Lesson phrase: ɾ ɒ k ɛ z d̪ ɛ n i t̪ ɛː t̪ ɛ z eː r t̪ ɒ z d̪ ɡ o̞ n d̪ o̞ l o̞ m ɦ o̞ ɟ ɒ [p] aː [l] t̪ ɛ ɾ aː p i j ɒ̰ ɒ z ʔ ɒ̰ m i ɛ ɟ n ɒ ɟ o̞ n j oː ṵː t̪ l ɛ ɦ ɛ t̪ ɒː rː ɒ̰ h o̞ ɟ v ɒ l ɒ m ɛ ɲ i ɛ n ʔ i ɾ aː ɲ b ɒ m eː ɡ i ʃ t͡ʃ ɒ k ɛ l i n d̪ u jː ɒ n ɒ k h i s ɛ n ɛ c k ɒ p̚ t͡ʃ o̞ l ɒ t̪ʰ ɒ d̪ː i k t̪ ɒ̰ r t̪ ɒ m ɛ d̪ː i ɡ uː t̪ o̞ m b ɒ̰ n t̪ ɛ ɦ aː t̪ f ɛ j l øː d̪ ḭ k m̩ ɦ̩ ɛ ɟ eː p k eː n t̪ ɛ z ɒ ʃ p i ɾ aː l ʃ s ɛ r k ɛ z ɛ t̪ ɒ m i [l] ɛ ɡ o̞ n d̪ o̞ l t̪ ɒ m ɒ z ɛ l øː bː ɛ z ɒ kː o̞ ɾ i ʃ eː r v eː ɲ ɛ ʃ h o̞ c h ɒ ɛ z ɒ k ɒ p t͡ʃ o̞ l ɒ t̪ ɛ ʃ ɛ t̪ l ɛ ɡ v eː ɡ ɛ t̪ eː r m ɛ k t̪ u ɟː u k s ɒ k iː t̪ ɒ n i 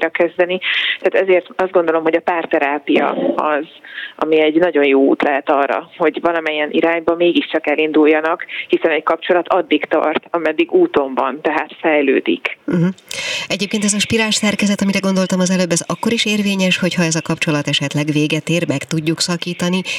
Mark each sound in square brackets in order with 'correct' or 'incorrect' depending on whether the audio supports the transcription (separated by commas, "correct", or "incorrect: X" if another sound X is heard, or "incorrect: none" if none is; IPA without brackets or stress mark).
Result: correct, incorrect: r, incorrect: ɾ